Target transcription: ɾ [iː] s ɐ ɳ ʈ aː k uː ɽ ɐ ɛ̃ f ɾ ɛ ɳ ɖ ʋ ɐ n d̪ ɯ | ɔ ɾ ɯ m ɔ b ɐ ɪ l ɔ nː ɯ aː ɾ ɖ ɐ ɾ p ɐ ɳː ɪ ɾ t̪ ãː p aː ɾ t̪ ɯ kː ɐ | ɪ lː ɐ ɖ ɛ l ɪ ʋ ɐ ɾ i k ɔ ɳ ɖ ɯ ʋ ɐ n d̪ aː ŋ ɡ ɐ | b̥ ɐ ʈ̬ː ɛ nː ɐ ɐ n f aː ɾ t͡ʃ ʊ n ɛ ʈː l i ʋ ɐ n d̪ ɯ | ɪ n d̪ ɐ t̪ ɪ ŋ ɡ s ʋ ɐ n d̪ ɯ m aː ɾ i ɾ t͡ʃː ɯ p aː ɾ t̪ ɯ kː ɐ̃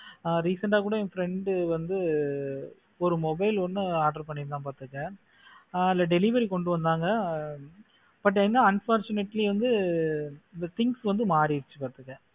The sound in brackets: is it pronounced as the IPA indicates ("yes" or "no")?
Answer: yes